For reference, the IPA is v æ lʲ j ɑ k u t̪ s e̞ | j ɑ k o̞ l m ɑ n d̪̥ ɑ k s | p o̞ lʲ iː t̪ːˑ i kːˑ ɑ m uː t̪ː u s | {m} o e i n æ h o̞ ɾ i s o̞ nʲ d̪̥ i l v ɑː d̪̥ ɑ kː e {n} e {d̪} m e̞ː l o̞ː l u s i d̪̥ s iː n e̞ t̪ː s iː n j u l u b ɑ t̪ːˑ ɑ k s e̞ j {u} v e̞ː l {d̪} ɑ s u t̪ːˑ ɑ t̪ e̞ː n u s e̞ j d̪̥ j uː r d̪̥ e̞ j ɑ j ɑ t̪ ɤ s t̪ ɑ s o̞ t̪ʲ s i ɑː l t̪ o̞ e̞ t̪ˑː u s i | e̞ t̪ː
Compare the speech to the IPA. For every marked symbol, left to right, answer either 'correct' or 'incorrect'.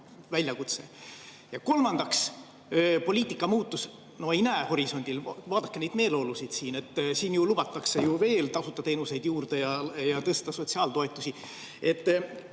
incorrect: n, correct, correct, correct, incorrect: t̪

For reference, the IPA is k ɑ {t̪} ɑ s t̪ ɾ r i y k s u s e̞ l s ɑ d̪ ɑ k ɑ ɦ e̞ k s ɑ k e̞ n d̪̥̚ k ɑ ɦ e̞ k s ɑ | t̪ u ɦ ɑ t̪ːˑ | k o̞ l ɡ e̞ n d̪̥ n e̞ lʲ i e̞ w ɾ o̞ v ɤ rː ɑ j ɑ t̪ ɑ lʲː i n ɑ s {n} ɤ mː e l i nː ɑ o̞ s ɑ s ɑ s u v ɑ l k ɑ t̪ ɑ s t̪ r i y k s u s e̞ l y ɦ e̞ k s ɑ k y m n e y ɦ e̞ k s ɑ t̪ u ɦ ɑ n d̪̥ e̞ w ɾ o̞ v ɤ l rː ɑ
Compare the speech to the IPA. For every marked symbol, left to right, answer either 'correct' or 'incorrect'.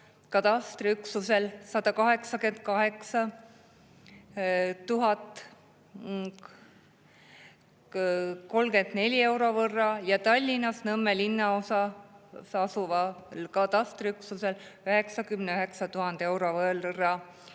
correct, correct

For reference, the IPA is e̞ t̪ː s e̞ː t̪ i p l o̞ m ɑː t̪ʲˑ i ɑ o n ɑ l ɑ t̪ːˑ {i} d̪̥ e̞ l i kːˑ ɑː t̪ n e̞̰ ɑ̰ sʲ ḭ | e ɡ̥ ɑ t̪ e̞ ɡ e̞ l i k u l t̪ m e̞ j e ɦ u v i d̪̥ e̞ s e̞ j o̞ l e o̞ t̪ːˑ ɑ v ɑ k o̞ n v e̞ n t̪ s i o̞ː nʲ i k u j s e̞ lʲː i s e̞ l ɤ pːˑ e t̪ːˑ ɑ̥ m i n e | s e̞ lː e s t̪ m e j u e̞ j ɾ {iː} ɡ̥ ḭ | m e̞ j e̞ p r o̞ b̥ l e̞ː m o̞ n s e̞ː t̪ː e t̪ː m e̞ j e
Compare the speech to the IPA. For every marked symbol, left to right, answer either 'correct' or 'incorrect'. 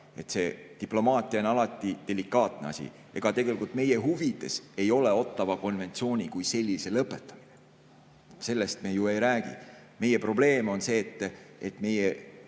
correct, incorrect: æː

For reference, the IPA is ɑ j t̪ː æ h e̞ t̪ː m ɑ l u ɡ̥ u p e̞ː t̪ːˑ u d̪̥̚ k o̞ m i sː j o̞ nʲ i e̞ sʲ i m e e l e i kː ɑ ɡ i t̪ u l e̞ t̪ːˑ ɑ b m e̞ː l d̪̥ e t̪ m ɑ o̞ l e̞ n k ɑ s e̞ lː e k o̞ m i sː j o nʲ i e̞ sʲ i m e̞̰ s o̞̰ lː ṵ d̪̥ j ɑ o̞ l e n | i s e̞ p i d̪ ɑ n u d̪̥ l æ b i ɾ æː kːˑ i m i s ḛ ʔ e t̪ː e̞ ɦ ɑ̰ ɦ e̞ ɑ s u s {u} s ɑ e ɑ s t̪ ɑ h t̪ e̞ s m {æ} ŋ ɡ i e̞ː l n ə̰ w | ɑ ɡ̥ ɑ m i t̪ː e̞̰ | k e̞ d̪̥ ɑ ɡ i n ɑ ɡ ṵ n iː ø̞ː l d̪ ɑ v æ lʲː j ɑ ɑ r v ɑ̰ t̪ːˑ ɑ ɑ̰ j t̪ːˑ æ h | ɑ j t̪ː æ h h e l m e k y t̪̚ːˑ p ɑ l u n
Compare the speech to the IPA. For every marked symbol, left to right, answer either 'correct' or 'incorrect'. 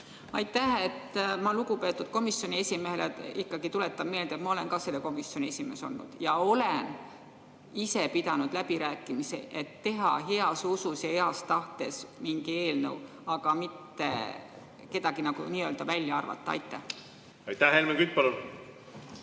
correct, incorrect: i

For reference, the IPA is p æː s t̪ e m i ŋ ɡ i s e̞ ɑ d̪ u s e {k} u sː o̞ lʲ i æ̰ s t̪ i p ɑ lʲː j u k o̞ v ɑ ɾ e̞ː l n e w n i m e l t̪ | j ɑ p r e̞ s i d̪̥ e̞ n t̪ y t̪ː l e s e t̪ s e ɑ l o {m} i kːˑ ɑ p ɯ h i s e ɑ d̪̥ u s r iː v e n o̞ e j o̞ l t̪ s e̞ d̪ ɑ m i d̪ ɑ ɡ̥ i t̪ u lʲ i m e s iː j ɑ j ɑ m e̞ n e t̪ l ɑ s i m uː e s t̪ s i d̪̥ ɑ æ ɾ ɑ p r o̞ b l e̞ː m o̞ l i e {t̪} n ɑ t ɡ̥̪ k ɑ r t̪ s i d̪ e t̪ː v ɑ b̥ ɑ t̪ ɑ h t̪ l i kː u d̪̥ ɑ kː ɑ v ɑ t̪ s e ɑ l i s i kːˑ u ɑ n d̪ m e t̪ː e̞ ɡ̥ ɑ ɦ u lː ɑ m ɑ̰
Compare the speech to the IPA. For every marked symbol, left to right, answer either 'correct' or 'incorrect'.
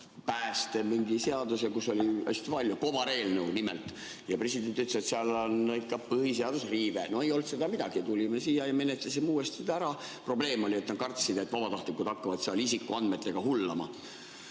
correct, incorrect: n, correct

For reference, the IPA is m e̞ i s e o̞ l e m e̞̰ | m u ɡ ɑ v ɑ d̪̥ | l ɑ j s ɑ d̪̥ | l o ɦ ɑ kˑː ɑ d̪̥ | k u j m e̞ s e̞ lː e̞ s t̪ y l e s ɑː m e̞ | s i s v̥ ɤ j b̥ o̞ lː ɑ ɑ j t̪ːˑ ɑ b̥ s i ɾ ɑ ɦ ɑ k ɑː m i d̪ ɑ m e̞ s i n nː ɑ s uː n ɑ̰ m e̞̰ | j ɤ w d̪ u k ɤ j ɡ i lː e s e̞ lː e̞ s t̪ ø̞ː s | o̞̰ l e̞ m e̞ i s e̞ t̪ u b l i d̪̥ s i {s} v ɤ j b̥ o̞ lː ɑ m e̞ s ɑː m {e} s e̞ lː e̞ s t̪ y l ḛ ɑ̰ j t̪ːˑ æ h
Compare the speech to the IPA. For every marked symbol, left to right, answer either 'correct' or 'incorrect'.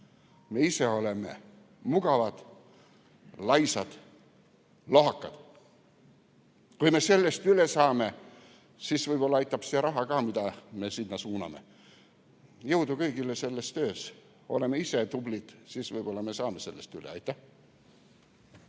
correct, correct

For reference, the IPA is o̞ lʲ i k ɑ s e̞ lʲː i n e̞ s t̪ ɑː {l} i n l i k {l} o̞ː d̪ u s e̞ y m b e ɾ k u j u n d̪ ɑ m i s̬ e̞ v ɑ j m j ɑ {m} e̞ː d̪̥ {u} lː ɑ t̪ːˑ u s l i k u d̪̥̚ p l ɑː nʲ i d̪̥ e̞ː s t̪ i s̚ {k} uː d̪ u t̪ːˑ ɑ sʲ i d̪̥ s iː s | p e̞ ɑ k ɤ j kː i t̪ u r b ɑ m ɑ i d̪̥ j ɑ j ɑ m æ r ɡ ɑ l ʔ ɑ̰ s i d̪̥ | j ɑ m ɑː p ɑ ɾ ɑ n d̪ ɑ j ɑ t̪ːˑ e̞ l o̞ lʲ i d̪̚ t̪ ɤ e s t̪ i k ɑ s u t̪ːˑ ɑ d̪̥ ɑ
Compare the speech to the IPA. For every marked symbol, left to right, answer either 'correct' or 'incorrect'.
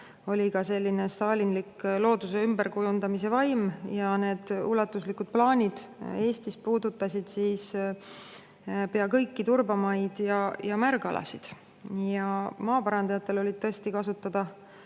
correct, correct, incorrect: n, correct, incorrect: p

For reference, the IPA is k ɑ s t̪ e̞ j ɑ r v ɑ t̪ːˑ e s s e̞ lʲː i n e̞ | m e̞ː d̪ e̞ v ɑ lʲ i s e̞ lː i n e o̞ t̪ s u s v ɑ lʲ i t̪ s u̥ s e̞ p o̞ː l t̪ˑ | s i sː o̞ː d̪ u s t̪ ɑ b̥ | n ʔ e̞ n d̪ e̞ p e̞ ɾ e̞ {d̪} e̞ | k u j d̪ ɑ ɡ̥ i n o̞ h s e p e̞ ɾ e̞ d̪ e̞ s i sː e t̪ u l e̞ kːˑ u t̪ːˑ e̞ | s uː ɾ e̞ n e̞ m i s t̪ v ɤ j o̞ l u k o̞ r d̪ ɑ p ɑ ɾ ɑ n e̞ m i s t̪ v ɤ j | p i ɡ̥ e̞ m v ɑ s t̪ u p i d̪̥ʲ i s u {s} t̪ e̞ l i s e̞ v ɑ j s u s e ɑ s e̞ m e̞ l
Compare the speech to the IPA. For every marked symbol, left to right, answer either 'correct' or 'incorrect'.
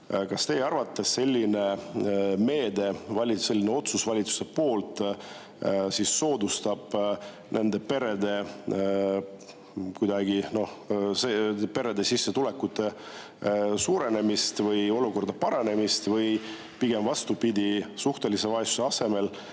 correct, incorrect: h

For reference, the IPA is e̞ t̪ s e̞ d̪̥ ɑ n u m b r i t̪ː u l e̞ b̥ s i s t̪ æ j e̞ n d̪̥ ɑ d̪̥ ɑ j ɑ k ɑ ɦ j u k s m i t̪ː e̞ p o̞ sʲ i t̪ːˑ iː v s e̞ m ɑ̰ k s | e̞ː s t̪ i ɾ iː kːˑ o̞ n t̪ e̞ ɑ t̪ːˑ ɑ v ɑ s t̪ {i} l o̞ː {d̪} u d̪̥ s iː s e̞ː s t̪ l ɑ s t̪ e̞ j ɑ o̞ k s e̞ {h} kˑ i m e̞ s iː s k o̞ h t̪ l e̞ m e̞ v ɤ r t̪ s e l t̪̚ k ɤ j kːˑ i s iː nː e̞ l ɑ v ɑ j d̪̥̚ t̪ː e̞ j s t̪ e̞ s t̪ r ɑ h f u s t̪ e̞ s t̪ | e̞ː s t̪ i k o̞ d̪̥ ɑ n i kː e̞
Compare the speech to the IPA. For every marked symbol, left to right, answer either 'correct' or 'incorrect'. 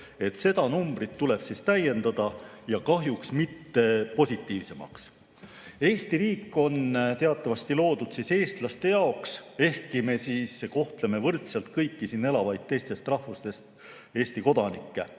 correct, correct, correct

